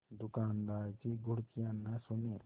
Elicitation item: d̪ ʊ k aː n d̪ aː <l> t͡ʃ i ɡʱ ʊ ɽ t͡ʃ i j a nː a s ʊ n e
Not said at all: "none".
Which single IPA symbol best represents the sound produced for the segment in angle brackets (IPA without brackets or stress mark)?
ɾ